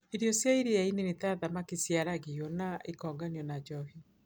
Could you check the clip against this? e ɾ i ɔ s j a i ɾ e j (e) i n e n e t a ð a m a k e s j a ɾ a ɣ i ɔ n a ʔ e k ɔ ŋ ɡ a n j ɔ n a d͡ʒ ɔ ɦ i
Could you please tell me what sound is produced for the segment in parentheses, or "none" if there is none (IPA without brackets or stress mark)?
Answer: a